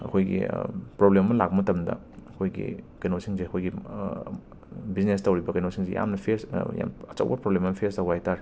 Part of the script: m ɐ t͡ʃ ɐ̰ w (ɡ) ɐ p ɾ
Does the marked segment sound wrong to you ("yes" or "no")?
yes